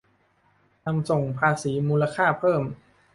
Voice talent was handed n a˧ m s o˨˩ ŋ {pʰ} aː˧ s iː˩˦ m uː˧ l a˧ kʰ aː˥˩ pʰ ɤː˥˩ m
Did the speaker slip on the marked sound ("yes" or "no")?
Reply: no